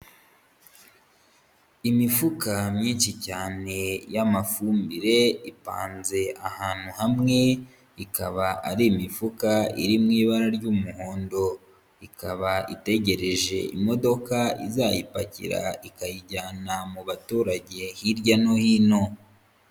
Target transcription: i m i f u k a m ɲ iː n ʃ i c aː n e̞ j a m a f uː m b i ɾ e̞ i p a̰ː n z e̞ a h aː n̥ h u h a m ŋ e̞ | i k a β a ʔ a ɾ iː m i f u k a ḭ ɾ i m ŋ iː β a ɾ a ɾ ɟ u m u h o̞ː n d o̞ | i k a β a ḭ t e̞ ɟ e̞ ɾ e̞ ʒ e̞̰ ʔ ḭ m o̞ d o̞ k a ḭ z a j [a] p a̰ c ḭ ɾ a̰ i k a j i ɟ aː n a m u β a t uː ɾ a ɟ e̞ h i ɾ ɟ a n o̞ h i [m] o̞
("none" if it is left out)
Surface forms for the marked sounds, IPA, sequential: i, n

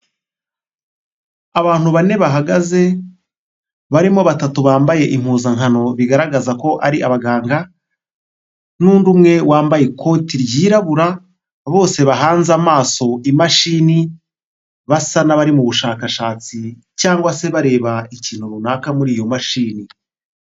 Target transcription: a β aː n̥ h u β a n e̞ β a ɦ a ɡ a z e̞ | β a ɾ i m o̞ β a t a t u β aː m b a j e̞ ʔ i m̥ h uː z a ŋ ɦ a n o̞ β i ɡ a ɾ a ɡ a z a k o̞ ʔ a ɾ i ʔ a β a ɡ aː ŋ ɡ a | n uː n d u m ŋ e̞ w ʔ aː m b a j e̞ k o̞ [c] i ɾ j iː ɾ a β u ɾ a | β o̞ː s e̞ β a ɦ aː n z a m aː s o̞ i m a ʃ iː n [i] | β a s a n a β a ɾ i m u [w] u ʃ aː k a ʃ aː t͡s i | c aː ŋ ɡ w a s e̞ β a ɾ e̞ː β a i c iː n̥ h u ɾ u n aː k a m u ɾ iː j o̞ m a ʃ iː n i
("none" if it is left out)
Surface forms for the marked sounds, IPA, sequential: t, i, β

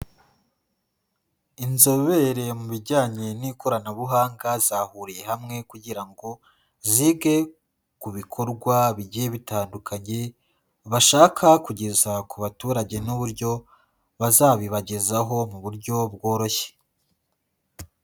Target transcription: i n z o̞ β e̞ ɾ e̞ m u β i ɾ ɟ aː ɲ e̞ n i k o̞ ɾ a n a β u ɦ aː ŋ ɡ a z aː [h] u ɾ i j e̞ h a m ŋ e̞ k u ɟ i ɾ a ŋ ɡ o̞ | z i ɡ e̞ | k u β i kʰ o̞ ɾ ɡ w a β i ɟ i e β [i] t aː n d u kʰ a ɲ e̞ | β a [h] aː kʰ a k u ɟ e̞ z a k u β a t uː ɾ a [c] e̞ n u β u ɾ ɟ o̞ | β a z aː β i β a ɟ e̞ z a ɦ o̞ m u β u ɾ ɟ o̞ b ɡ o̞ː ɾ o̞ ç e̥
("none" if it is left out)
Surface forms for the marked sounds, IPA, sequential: h, i, ʃ, ɟ

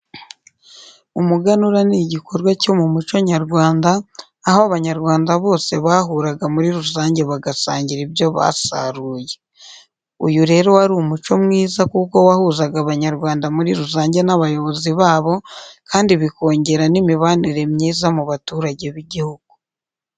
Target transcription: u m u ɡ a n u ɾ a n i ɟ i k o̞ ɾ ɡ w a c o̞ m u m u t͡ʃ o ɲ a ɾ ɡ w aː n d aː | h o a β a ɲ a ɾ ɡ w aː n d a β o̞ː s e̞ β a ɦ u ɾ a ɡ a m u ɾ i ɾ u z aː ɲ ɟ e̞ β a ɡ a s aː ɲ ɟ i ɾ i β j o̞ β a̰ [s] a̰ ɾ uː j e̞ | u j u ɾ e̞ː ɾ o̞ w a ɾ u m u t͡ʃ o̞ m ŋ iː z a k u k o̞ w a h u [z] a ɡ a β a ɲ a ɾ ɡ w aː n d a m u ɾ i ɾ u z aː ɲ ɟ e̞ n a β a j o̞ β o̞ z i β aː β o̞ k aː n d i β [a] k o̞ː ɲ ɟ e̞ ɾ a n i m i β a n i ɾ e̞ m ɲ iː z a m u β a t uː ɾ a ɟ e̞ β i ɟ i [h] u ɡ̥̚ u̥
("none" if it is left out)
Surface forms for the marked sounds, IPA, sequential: s, z, i, h

